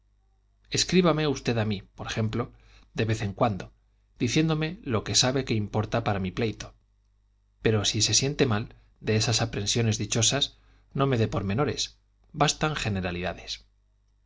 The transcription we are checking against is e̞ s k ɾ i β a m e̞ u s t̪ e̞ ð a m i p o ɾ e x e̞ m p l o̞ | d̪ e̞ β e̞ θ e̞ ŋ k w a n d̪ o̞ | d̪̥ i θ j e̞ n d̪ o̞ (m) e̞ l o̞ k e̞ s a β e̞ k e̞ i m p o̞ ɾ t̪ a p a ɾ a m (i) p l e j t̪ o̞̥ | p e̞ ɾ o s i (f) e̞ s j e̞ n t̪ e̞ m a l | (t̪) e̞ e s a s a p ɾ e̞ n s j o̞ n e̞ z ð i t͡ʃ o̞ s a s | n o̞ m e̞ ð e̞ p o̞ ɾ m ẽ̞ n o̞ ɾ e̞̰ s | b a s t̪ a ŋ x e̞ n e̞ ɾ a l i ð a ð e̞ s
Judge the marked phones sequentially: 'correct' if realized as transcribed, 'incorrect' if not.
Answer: correct, correct, incorrect: s, incorrect: d̪

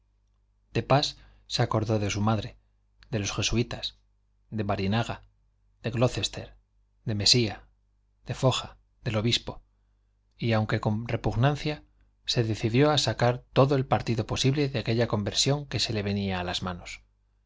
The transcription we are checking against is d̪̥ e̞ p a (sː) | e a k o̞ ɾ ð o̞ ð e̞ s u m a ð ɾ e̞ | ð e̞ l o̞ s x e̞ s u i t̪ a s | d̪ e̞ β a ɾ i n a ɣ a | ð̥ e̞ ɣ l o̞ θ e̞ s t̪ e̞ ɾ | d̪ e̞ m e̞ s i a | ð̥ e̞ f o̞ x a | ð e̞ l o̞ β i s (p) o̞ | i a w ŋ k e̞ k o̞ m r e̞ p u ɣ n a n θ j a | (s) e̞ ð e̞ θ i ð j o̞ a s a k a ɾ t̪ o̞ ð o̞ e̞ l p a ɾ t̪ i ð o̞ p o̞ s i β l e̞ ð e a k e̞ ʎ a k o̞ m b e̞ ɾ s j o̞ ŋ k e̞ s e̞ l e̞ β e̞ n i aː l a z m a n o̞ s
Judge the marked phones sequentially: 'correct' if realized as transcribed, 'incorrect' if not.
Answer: correct, correct, correct

